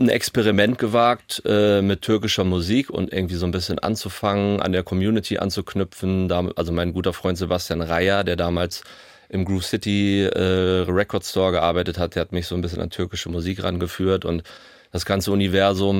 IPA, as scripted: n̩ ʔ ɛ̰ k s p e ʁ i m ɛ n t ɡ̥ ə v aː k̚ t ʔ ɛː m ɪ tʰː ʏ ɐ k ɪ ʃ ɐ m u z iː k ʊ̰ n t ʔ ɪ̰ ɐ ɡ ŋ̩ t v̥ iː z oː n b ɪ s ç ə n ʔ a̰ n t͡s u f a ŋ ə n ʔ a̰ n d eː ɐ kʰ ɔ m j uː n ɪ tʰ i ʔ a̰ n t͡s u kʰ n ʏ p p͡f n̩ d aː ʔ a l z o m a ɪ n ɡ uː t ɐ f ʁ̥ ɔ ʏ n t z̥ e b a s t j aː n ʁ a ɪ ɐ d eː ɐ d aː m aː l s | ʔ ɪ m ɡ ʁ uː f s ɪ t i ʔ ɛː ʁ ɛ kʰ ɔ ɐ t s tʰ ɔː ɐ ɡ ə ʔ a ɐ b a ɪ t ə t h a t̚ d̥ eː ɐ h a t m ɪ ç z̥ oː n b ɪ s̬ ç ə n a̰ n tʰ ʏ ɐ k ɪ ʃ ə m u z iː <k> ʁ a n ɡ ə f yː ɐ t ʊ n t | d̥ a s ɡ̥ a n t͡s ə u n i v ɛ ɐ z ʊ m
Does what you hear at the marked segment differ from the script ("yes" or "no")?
no